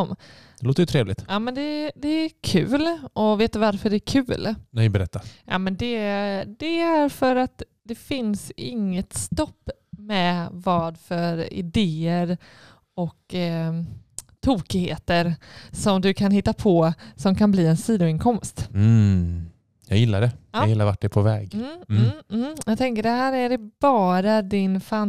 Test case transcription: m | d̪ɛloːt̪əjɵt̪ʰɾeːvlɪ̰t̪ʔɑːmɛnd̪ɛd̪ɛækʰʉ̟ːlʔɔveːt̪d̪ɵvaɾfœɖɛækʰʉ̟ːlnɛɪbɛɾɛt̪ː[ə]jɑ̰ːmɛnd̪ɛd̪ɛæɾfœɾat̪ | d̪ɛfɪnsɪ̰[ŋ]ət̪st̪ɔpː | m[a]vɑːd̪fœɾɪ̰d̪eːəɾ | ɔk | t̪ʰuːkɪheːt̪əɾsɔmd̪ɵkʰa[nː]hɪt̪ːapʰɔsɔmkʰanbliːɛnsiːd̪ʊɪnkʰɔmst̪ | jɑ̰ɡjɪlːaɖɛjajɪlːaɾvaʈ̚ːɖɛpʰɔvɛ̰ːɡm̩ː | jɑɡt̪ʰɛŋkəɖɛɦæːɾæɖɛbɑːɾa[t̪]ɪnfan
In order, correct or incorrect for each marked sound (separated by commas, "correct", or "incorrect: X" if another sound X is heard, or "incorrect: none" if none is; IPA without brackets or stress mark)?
incorrect: a, incorrect: ŋː, incorrect: ɛ, incorrect: n, incorrect: d̪